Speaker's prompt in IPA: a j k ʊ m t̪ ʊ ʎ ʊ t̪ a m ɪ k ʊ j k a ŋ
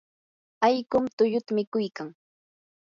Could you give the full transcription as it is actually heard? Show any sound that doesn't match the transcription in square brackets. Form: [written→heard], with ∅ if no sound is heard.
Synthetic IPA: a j k ʊ m t̪ ʊ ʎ ʊ t̪ a m ɪ k ʊ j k a ŋ